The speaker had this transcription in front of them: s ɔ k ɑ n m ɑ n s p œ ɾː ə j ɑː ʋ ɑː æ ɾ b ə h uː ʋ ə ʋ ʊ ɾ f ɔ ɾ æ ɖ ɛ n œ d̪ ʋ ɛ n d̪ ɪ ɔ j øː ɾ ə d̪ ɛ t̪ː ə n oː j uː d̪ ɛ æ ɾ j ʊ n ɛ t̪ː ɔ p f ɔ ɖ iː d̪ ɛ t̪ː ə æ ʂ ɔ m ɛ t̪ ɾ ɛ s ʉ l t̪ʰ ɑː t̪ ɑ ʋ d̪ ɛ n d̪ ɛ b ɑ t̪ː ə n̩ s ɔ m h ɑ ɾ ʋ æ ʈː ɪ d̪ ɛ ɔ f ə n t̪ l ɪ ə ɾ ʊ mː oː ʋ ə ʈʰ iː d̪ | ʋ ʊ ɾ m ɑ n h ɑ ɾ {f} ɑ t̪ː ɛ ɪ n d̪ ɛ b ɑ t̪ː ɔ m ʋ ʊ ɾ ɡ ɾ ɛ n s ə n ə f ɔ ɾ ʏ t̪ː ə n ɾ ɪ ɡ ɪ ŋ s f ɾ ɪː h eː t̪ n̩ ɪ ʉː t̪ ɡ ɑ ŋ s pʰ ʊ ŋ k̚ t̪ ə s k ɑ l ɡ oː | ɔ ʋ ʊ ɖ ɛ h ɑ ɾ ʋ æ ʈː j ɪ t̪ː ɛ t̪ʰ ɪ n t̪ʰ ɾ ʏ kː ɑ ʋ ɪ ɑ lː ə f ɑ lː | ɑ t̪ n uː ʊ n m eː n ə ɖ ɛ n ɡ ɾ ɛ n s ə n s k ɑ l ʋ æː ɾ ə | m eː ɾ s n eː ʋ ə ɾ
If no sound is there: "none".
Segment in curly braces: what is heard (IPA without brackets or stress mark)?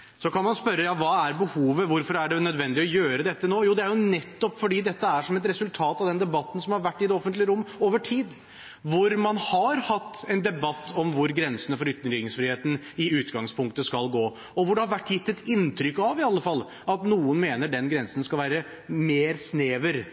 h